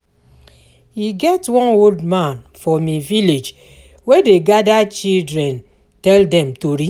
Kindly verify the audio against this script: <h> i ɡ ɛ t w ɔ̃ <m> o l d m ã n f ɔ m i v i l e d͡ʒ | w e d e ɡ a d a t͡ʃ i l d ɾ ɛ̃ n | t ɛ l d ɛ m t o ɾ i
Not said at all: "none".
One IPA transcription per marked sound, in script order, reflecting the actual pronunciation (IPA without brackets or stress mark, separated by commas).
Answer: h, n